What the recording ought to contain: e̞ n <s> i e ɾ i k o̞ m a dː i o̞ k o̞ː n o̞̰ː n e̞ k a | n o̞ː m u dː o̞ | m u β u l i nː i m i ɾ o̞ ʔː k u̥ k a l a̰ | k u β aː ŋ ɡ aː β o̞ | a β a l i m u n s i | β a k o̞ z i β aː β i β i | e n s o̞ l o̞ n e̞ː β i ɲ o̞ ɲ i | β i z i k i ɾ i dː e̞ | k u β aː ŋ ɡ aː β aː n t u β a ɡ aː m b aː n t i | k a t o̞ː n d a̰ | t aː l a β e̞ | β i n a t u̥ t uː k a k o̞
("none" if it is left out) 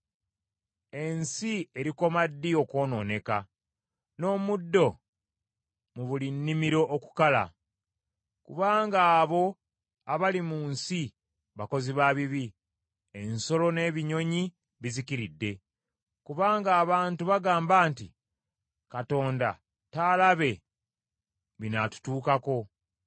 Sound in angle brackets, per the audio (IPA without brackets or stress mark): s